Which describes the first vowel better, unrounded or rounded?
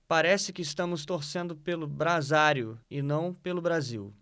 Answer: unrounded